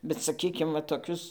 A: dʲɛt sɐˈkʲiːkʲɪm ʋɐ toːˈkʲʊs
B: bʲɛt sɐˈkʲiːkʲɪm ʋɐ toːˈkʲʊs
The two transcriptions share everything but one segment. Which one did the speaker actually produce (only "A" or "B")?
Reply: B